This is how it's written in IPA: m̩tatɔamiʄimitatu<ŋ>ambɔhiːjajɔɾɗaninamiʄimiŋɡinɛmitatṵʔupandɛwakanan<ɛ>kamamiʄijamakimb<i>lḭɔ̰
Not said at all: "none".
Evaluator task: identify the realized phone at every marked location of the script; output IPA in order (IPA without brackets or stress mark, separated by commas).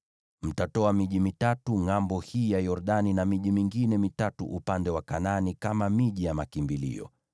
ŋ, i, i